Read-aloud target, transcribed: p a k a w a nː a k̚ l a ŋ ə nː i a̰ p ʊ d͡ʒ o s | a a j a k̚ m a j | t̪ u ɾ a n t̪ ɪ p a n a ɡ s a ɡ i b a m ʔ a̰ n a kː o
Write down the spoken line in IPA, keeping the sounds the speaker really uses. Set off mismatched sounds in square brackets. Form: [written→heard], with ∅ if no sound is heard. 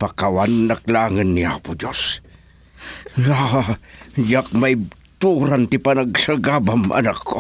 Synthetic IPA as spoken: p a k a w a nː a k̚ l a ŋ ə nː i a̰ p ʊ d͡ʒ o s | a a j a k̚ m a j | t̪ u ɾ a n t̪ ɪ p a n a ɡ s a ɡ [i→a] b a m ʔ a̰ n a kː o

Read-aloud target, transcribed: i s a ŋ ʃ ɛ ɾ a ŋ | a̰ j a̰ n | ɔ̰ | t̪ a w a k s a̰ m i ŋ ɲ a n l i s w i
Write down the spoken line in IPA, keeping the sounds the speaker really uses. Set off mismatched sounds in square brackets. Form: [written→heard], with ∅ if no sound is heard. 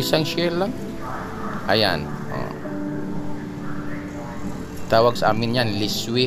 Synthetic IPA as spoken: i s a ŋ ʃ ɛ [ɾ→l] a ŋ | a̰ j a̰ n | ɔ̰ | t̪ a w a k s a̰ m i [ŋ→n] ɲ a n l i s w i

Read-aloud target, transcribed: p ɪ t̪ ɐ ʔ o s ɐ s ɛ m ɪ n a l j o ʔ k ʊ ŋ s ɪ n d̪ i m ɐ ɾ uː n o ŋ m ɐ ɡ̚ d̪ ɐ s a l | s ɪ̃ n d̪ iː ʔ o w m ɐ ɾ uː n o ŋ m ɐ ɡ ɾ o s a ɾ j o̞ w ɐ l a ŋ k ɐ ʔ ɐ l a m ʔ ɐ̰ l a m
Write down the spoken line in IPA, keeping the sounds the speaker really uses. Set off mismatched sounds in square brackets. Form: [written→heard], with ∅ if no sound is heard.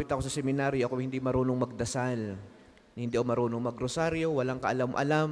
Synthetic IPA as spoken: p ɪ t̪ ɐ [ʔ→k] o s ɐ s ɛ m ɪ n a [l→ɾ] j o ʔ k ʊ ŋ [s→h] ɪ n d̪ i m ɐ ɾ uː n o ŋ m ɐ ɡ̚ d̪ ɐ s a l | [s→h] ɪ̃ n d̪ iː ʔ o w m ɐ ɾ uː n o ŋ m ɐ ɡ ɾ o s a ɾ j o̞ w ɐ l a ŋ k ɐ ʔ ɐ l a m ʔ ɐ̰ l a m

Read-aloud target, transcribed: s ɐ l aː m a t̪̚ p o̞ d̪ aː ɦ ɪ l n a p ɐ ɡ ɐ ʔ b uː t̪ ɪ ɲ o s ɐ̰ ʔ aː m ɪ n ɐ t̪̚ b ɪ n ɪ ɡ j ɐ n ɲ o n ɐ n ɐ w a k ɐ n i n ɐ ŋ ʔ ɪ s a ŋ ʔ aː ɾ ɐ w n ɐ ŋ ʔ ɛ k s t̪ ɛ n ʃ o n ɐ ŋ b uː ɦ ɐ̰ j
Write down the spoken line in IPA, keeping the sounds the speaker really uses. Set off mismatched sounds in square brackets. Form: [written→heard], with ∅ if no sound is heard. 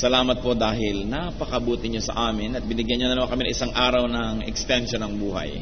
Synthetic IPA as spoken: s ɐ l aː m [a→ɐ] t̪̚ p o̞ d̪ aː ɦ ɪ l n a p ɐ [ɡ→k] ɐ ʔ b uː t̪ ɪ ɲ o s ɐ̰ ʔ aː m ɪ n ɐ t̪̚ b ɪ n ɪ ɡ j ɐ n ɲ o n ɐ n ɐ w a k ɐ [n→m] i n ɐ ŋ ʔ ɪ s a ŋ ʔ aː ɾ ɐ w n ɐ ŋ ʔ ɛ k s t̪ ɛ n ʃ o n ɐ ŋ b uː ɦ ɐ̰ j

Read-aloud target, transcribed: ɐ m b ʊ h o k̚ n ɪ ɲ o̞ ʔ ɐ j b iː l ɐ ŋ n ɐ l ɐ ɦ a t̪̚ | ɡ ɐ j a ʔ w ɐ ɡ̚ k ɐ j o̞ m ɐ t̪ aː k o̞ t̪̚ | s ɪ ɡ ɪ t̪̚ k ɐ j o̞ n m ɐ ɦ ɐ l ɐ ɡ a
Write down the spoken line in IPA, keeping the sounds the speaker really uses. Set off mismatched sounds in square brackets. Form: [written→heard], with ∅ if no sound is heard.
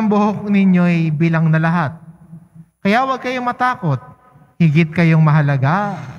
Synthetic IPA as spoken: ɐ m b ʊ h o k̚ n ɪ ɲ o̞ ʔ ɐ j b iː l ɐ ŋ n ɐ l ɐ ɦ a t̪̚ | [ɡ→k] ɐ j a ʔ w ɐ ɡ̚ k ɐ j o̞ m ɐ t̪ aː k o̞ t̪̚ | [s→h] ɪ ɡ ɪ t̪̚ k ɐ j o̞ [n→ŋ] m ɐ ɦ ɐ l ɐ ɡ a

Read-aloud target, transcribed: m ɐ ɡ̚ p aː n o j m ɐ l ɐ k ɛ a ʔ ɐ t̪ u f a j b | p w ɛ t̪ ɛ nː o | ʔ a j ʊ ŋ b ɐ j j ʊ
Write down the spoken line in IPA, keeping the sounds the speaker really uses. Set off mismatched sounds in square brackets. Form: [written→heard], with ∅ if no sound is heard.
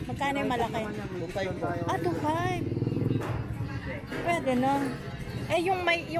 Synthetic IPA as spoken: m ɐ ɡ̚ [p→k] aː n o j m ɐ l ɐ k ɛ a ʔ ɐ t̪ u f a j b | p w ɛ [t̪→d̪] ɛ [nː→n] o | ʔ [a→ɛ] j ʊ ŋ [b→m] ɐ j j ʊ

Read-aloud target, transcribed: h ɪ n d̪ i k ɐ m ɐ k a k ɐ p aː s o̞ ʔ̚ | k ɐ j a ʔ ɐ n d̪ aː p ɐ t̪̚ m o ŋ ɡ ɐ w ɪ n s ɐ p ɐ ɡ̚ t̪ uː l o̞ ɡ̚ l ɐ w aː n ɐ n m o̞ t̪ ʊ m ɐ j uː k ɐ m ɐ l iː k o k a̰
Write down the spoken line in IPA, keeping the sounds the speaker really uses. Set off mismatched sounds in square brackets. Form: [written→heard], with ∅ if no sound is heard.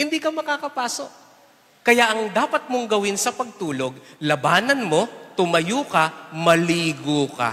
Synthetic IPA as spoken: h ɪ n d̪ i k ɐ m ɐ k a k ɐ p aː s o̞ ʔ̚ | k ɐ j a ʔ ɐ [n→ŋ] d̪ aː p ɐ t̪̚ m o ŋ ɡ ɐ w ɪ n s ɐ p ɐ ɡ̚ t̪ uː l o̞ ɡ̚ l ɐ [w→b] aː n ɐ n m o̞ t̪ ʊ m ɐ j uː k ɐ m ɐ l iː [k→ɡ] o k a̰

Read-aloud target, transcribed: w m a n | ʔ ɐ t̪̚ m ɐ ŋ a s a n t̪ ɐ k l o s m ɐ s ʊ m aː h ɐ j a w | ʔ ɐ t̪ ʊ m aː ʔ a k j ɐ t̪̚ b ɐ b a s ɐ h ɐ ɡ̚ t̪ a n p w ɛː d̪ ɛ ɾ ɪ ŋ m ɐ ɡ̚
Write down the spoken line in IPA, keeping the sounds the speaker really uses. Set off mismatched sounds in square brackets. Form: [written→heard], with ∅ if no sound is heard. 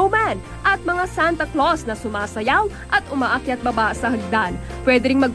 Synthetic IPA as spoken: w m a n | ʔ ɐ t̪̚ m ɐ ŋ a s a n t̪ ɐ k l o s [m→n] ɐ s ʊ m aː [h→s] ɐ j a w | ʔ ɐ t̪ ʊ m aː ʔ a k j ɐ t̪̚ b ɐ b a s ɐ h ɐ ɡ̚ [t̪→d̪] a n p w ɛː d̪ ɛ ɾ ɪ ŋ m ɐ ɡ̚

